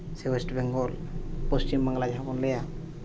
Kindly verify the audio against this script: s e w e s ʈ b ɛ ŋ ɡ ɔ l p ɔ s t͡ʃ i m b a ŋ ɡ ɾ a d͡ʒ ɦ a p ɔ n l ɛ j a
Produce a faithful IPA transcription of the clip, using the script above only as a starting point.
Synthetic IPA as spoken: s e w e s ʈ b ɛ ŋ ɡ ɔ l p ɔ s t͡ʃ i m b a ŋ ɡ l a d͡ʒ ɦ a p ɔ n l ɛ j a